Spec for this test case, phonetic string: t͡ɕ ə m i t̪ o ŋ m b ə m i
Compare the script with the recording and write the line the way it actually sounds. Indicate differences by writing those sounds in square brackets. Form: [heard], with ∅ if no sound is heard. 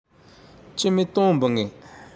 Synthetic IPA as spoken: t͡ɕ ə m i t̪ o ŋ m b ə [ŋ] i